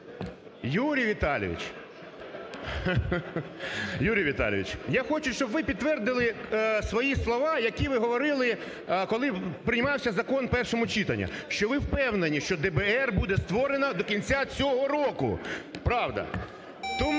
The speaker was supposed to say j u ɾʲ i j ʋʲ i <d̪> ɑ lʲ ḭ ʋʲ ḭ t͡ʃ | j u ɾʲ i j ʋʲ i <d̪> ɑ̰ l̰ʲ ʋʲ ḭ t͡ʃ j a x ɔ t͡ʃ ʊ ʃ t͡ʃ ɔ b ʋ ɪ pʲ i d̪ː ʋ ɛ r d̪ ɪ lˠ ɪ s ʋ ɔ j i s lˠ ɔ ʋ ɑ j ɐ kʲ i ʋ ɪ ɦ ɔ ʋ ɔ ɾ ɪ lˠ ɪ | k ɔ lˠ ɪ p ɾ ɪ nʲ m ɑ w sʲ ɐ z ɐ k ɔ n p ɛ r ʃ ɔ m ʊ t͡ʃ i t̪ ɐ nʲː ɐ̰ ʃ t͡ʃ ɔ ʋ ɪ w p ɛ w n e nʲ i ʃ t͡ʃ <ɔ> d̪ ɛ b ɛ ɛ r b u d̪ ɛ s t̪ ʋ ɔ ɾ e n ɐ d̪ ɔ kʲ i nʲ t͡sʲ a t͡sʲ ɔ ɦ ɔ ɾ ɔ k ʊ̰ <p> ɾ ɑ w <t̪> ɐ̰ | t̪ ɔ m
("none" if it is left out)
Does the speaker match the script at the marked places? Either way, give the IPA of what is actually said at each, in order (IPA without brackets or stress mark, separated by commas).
t̪, t̪, ɔ, p, d̪